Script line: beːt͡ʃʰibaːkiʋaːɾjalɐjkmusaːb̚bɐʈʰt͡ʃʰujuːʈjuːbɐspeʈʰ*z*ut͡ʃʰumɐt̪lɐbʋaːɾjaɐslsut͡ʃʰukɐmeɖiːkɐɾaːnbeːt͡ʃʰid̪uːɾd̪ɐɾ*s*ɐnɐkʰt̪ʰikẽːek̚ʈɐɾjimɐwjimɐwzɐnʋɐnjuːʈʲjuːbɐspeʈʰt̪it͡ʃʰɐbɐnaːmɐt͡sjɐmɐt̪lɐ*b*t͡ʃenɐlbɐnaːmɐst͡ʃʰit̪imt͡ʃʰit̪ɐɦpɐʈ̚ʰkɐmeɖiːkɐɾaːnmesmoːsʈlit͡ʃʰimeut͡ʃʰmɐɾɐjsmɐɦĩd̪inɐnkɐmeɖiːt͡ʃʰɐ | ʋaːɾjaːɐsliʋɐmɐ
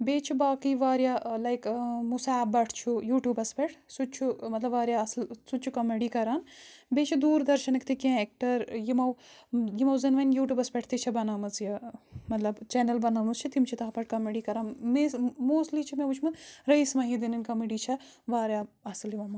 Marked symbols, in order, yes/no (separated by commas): no, no, yes